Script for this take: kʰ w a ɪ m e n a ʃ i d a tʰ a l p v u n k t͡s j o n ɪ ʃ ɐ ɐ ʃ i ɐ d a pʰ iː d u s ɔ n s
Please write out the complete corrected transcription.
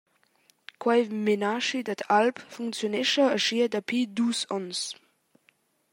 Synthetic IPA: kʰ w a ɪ m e n a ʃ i d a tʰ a l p f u ŋ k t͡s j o n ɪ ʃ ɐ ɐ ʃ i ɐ d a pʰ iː d u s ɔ n s